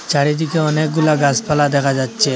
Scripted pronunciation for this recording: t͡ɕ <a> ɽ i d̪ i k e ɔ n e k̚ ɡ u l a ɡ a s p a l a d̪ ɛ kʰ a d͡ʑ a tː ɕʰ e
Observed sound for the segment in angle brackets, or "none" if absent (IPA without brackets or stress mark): a